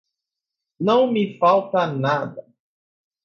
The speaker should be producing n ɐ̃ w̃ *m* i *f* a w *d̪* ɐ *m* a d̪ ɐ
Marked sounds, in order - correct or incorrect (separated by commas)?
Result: correct, correct, incorrect, incorrect